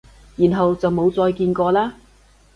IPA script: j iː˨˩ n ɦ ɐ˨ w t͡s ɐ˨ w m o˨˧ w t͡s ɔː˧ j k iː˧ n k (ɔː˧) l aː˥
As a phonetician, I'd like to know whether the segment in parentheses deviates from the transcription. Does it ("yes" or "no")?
no